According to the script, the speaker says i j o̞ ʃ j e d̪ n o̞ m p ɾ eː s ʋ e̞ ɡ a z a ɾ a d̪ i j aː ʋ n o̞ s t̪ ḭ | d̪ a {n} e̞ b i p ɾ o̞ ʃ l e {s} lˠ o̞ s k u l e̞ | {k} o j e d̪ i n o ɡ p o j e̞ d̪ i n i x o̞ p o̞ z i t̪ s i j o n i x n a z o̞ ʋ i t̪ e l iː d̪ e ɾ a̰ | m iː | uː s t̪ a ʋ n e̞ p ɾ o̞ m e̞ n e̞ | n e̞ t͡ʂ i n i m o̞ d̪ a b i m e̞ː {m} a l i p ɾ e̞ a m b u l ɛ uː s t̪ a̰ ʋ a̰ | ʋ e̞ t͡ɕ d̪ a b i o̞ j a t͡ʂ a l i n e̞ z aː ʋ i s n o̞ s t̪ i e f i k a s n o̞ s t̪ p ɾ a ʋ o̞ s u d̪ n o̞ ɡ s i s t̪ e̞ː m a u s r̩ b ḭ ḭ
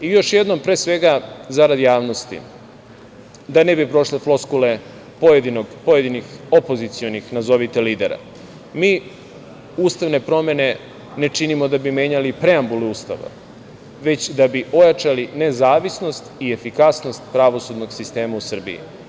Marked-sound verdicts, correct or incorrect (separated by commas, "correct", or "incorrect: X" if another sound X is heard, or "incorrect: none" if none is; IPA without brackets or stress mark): correct, incorrect: f, incorrect: p, incorrect: ɲ